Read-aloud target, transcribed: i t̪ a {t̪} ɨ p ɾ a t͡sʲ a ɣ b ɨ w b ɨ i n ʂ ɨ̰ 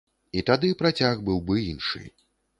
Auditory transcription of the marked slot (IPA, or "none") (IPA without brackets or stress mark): d̪